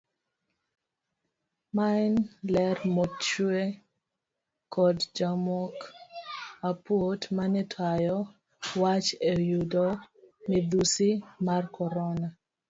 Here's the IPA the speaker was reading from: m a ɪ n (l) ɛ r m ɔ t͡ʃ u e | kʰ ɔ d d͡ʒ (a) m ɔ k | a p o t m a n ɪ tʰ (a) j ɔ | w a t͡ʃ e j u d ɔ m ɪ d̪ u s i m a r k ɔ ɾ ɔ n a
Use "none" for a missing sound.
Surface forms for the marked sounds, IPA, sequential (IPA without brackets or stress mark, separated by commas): l, a, a